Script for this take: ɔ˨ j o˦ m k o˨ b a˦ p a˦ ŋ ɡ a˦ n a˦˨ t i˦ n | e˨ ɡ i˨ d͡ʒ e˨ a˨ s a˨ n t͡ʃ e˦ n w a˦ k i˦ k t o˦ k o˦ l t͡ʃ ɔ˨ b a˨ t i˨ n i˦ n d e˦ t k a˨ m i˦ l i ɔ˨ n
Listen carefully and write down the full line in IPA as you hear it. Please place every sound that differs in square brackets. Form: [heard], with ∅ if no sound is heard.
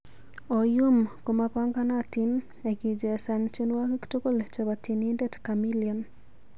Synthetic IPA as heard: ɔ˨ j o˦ m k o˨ [m] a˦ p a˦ ŋ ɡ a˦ n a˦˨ t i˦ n | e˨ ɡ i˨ d͡ʒ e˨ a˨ s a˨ n t͡ʃ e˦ n w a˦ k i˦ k t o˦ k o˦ l t͡ʃ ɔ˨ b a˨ t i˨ n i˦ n d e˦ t k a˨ m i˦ l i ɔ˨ n

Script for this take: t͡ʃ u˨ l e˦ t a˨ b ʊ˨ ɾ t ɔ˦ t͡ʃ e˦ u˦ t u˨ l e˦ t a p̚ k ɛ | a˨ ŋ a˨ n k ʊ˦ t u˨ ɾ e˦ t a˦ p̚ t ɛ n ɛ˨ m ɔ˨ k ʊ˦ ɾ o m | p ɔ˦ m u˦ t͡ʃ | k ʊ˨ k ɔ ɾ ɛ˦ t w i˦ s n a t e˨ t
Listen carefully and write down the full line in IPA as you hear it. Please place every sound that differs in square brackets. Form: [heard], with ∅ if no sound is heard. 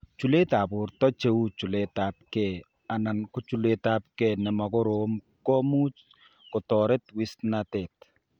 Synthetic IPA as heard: t͡ʃ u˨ l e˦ t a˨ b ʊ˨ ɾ t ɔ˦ t͡ʃ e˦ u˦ [t͡ʃ] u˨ l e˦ t a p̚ k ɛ | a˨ [n] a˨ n k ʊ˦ [t͡ʃ] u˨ [l] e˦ t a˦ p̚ [k] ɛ n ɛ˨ m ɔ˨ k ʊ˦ ɾ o m | [k] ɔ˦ m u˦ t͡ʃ | k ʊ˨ [t] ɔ ɾ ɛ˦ t w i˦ s n a t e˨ t

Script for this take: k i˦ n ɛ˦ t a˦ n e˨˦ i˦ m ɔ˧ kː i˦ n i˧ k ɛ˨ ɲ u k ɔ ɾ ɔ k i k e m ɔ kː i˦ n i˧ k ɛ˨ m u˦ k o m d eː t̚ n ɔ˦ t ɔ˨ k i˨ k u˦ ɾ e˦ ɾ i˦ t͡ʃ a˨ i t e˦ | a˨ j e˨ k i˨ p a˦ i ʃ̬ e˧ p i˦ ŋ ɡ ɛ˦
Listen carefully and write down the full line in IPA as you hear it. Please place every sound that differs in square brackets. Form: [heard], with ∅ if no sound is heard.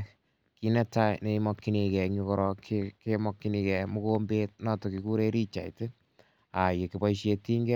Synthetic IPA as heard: k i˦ n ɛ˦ t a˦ n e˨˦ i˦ m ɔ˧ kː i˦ n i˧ k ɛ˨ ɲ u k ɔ ɾ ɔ k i k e m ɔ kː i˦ n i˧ k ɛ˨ m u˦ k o m [b] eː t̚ n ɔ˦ t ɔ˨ k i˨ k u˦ ɾ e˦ ɾ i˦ t͡ʃ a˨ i t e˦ | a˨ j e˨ k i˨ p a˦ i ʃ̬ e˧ [t] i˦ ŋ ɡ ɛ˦

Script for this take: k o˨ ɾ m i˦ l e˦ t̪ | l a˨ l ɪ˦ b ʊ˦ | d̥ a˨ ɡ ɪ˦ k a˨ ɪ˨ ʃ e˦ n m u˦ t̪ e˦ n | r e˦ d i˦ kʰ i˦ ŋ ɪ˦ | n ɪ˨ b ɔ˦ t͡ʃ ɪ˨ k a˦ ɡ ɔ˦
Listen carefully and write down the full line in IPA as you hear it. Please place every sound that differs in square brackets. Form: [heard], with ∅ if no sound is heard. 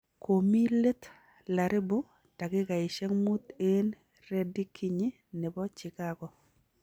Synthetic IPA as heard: k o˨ [∅] m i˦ l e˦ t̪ | l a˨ [ɾ] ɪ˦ b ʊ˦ | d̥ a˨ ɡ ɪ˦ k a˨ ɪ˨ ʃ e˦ [ŋ] m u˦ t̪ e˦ n | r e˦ d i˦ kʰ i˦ [ɲ] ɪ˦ | n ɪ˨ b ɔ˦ t͡ʃ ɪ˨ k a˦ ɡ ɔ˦

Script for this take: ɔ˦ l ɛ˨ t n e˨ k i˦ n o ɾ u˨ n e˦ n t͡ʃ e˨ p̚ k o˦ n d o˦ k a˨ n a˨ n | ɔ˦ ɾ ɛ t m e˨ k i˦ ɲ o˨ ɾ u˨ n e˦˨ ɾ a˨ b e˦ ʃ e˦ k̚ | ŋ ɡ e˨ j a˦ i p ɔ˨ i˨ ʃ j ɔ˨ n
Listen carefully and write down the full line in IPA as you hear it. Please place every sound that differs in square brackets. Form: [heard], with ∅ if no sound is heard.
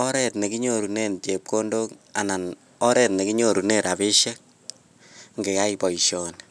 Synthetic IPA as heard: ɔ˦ [ɾ] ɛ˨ t n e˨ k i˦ [ɲ] o ɾ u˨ n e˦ n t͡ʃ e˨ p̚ k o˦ n d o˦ k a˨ n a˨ n | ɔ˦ ɾ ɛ t [n] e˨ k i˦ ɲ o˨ ɾ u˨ n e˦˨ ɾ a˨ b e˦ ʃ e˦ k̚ | ŋ ɡ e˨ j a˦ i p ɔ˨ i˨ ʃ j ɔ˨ n

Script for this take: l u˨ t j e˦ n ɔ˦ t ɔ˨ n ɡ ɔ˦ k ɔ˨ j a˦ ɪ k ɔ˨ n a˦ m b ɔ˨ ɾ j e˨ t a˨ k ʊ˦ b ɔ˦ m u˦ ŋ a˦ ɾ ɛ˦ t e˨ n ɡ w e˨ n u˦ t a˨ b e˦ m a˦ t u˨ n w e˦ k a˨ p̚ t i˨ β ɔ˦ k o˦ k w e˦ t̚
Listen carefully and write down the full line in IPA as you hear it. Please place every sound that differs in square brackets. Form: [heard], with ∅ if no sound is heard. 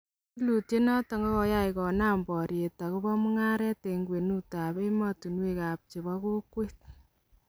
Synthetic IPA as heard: l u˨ t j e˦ n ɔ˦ t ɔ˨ [ŋ] ɡ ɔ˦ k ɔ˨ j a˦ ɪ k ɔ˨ n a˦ m b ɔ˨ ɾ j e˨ t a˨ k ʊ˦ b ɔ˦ m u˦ ŋ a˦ ɾ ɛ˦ t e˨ [ŋ] ɡ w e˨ n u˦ t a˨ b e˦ m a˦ t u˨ n w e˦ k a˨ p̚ [t͡ʃ] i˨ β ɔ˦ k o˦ k w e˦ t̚

